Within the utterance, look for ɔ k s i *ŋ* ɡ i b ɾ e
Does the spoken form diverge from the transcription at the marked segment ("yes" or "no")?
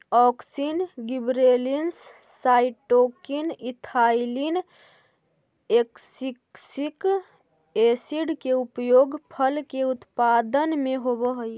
yes